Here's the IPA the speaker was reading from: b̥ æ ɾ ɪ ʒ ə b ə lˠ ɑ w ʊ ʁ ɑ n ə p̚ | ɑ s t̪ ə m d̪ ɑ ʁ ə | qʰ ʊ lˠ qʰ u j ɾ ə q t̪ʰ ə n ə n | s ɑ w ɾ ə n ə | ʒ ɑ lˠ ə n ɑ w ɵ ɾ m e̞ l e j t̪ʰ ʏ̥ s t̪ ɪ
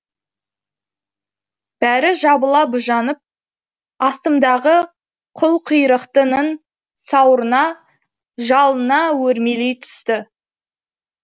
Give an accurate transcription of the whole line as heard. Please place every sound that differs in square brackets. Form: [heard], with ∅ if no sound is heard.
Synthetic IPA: b̥ æ ɾ ɪ ʒ [ɑ] b ə lˠ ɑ [b] ʊ [ʒ] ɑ n ə p̚ | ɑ s t̪ ə m d̪ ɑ ʁ ə | qʰ ʊ lˠ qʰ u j ɾ ə q [t̪] ə n ə n | s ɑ w ɾ ə n [ɑ] | ʒ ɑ lˠ ə n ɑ w ɵ ɾ m e̞ l e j t̪ʰ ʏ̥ s t̪ ɪ